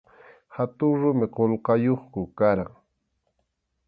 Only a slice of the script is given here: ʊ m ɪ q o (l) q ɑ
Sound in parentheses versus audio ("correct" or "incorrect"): correct